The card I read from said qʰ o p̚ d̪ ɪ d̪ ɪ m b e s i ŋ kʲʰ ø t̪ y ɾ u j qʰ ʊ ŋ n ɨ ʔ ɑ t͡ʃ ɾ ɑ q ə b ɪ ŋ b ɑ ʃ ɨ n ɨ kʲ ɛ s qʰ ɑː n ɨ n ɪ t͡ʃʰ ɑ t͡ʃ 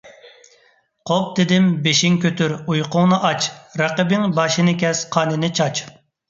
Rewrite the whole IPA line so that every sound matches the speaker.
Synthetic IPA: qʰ o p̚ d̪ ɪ d̪ ɪ m b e ʃ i ŋ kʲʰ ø t̪ y ɾ u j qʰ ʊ ŋ n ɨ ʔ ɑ t͡ʃ ɾ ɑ q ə b ɪ ŋ b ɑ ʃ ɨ n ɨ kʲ ɛ s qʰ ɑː n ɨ n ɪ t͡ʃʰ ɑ t͡ʃ